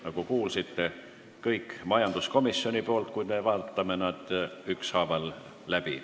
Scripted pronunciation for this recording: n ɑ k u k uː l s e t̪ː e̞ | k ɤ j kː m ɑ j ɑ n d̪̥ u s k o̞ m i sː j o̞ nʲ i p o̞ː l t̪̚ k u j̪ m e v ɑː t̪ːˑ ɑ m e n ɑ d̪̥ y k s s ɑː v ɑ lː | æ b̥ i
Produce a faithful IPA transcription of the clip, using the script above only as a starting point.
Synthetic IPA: n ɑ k u k uː l s i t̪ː e̞ | k ɤ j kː m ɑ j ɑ n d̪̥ u s k o̞ m i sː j o̞ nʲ i p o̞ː l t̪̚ k u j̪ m e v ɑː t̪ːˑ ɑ m e n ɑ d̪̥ y k s h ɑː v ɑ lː | æ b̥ i